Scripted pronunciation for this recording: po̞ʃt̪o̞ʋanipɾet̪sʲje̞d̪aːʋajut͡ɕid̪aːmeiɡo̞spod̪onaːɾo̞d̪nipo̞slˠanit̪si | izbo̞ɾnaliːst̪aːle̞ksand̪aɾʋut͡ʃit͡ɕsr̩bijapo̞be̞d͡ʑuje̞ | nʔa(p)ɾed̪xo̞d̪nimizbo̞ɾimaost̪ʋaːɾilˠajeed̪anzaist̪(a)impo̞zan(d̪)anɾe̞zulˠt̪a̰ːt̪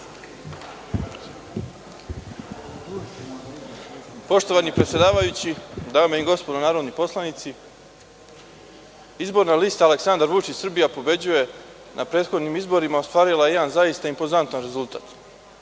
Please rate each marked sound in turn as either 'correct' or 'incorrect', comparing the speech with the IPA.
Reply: correct, correct, incorrect: t̪

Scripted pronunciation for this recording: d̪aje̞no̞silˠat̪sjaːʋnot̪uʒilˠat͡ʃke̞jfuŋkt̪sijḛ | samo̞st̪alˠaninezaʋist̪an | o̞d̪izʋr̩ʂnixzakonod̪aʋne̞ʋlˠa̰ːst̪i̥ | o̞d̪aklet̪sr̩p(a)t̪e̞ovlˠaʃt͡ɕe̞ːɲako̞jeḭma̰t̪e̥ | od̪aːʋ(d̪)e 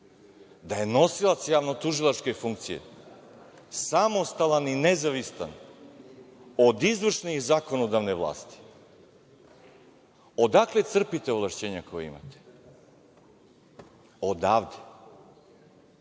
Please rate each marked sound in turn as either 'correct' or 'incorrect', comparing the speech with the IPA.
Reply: incorrect: i, correct

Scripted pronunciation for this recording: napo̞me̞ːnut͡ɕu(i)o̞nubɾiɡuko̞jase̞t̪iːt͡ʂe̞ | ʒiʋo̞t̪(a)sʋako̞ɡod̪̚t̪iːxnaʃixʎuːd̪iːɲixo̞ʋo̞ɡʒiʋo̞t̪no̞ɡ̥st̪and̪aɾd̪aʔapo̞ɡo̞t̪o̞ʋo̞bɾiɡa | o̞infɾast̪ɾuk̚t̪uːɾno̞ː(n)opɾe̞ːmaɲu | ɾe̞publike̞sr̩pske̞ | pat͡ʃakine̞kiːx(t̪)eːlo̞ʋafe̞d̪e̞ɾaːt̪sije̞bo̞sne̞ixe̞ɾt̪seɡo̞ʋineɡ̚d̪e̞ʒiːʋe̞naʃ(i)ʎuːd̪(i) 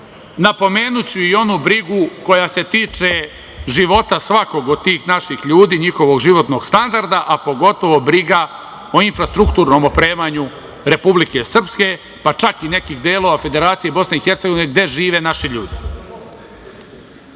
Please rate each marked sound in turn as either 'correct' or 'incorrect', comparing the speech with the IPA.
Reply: correct, correct, incorrect: m, incorrect: d̪, correct, correct

